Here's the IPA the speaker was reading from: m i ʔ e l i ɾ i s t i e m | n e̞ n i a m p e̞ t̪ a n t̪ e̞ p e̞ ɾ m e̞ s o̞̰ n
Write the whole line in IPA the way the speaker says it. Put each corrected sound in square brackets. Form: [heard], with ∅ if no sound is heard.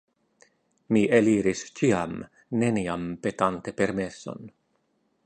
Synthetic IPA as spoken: m i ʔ e l i ɾ i s [t͡ʃ] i [a] m | n e̞ n i a m p e̞ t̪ a n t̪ e̞ p e̞ ɾ m e̞ s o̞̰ n